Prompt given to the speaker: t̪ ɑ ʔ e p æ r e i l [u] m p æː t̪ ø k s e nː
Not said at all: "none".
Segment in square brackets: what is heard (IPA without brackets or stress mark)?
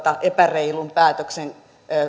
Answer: u